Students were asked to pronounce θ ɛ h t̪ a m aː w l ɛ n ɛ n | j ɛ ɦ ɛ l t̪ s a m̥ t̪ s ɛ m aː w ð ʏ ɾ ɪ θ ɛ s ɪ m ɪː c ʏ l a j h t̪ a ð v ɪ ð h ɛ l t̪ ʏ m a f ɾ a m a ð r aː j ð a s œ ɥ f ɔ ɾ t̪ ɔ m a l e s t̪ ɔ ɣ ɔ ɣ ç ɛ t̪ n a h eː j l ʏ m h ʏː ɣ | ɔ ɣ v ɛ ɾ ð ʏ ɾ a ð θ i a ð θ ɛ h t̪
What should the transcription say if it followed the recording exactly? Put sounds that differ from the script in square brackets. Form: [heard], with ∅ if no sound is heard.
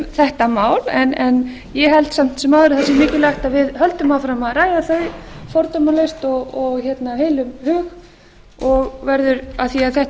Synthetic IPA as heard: θ ɛ h t̪ a m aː w l ɛ n ɛ n | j ɛ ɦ ɛ l t̪ s a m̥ t̪ s ɛ m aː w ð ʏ ɾ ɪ θ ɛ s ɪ m ɪː c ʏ l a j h t̪ a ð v ɪ ð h [œ] l t̪ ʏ m a f ɾ a m a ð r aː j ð a [θ] œ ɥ f ɔ ɾ t̪ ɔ m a l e s t̪ ɔ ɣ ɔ ɣ ç ɛ t̪ n a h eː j l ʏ m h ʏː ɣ | ɔ ɣ v ɛ ɾ ð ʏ ɾ a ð θ i a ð θ ɛ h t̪

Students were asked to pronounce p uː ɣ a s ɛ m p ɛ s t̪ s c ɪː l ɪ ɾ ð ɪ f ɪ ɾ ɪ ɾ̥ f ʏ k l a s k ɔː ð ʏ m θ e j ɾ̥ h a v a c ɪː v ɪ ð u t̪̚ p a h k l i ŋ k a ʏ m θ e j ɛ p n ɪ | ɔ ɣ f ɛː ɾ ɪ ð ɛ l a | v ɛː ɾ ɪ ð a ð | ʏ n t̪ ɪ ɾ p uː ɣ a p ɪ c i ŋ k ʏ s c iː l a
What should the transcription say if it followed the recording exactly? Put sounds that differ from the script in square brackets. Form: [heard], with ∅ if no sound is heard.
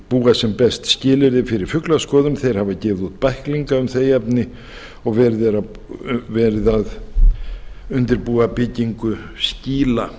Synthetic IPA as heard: p uː ɣ a s ɛ m p ɛ s t̪ s c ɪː l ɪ ɾ ð ɪ f ɪ ɾ ɪ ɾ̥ f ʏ k l a s k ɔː ð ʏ m θ e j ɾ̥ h a v a c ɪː v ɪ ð u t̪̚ p a h k l i ŋ k a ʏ m θ e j ɛ p n ɪ | ɔ ɣ [v] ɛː ɾ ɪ ð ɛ [ɾ] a | v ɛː ɾ ɪ ð a ð | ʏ n t̪ ɪ ɾ p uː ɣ a p ɪ c i ŋ k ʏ s c iː l a

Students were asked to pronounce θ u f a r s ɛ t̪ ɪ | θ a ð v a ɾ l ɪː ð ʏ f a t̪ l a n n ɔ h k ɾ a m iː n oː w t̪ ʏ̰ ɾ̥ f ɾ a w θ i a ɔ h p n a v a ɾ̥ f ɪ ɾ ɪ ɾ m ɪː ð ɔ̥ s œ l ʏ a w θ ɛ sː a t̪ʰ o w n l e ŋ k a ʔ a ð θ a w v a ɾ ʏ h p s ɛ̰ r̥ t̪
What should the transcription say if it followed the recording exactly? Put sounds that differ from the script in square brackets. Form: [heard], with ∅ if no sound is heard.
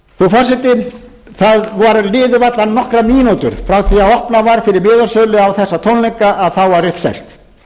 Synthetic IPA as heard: θ u f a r s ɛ t̪ ɪ | θ a ð v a ɾ l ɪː ð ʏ [v] a t̪ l a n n ɔ h k ɾ a m iː n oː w t̪ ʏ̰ ɾ̥ f ɾ a w θ i a ɔ h p n a v a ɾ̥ f ɪ ɾ ɪ ɾ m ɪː ð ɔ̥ s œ l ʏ a w θ ɛ sː a t̪ʰ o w n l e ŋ k a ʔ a ð θ a w v a ɾ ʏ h p s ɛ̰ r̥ t̪

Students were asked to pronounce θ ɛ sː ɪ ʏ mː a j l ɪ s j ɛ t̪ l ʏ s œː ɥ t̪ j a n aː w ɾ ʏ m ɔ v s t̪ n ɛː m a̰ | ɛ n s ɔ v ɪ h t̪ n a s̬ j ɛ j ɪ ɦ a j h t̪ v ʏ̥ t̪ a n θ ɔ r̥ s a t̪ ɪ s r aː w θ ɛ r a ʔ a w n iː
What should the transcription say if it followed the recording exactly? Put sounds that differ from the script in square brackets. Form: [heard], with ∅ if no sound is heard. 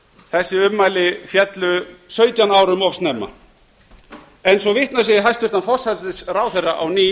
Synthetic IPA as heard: θ ɛ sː ɪ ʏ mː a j l ɪ [f] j ɛ t̪ l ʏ s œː ɥ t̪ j a n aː w ɾ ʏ m ɔ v s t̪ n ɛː m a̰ | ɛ n s ɔ v ɪ h t̪ n a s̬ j ɛ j ɪ ɦ a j [s] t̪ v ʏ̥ t̪ a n [f] ɔ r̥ s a t̪ ɪ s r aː w θ ɛ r a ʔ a w n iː

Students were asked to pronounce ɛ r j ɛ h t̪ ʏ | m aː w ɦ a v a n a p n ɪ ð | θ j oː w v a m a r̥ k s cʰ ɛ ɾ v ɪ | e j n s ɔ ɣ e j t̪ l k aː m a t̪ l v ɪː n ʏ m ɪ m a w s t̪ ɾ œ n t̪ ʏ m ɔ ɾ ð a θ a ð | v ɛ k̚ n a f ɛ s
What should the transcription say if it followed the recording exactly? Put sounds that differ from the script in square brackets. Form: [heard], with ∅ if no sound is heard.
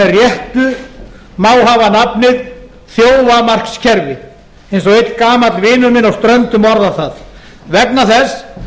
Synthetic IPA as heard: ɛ r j ɛ h t̪ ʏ | m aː w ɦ a v a n a p n ɪ ð | θ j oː w v a m a r̥ k s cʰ ɛ ɾ v ɪ | e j n s ɔ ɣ e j t̪ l k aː m a t̪ l v ɪː n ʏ m ɪ [n] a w s t̪ ɾ œ n t̪ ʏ m ɔ ɾ ð a θ a ð | v ɛ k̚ n a [θ] ɛ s

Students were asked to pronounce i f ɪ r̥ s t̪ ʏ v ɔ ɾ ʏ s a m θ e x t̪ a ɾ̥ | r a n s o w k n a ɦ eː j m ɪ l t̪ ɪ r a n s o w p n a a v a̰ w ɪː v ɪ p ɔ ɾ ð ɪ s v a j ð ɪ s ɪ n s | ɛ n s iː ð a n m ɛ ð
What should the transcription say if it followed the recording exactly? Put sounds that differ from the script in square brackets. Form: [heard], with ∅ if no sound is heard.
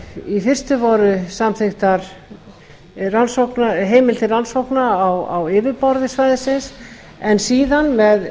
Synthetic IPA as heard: i f ɪ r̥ s t̪ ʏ v ɔ ɾ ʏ s a m θ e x t̪ a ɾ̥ | r a n s o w k n a ɦ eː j m ɪ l t̪ ɪ r a n s o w [k] n a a [w] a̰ w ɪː v ɪ p ɔ ɾ ð ɪ s v a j ð ɪ s ɪ n s | ɛ n s iː ð a n m ɛ ð

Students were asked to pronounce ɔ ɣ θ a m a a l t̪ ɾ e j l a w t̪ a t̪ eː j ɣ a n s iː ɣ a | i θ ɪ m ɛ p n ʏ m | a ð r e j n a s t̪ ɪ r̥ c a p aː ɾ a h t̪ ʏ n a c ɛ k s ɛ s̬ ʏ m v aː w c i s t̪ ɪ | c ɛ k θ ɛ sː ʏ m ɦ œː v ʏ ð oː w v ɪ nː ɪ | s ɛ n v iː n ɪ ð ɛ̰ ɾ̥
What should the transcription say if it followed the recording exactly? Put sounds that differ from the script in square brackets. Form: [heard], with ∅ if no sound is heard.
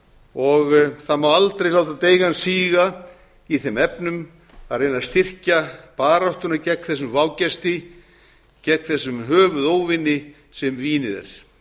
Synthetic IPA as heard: ɔ ɣ θ a m a a l t̪ ɾ e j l a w t̪ a t̪ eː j ɣ a n s iː ɣ a | i θ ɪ m ɛ p n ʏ m | a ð r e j n a s t̪ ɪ r̥ c a p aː ɾ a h t̪ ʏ n a c ɛ k [θ] ɛ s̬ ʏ m v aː w c [ɛ] s t̪ ɪ | c ɛ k θ ɛ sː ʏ m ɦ œː v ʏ ð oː w v ɪ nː ɪ | s ɛ [m] v iː n ɪ ð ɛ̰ ɾ̥

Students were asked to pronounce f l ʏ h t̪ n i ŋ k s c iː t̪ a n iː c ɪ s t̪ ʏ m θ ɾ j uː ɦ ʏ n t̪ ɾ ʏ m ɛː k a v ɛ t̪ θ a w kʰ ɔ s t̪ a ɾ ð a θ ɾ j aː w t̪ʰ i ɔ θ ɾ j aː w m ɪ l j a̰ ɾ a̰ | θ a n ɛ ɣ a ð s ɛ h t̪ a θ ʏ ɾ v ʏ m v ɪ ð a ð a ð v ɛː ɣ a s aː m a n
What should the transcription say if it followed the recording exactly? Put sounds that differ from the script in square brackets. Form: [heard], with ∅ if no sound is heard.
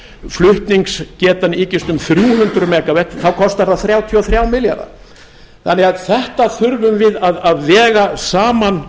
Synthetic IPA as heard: f l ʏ h t̪ n i ŋ k s c [ɛː] t̪ a n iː c ɪ s t̪ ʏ m θ ɾ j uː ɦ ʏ n t̪ ɾ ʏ m ɛː k a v ɛ t̪ θ a w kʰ ɔ s t̪ a ɾ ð a θ ɾ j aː w t̪ʰ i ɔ θ ɾ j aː w m ɪ l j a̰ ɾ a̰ | θ a n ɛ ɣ a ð [θ] ɛ h t̪ a θ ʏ ɾ v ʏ m v ɪ ð a ð a ð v ɛː ɣ a s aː m a n

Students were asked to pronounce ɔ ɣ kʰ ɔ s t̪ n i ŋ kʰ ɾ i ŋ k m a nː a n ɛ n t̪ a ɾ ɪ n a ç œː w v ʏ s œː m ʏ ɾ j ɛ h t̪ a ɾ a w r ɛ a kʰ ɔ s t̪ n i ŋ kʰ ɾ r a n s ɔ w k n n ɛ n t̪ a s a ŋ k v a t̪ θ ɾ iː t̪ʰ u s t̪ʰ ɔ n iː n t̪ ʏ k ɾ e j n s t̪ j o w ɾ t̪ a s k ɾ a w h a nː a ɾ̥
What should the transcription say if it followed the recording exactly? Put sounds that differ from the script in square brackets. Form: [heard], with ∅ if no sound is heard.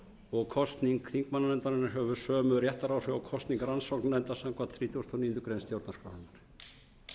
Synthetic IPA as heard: ɔ ɣ kʰ ɔ s t̪ n i ŋ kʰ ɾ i ŋ k m a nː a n ɛ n t̪ a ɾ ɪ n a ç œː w v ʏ s œː m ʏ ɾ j ɛ h t̪ a ɾ a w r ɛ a kʰ ɔ s t̪ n i ŋ [k] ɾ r a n s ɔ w k n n ɛ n t̪ a s a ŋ k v a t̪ θ ɾ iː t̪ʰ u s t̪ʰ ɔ n iː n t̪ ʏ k ɾ e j n s t̪ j o w ɾ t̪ a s k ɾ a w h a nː a ɾ̥

